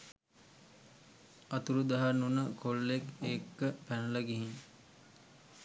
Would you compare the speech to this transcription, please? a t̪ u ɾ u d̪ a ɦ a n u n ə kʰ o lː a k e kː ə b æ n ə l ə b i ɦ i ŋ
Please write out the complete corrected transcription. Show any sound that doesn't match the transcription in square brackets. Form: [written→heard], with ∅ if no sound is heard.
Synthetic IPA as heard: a t̪ u ɾ u d̪ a ɦ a n u n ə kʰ o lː [a→e] k e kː ə [b→p] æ n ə l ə [b→ɡ] i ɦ i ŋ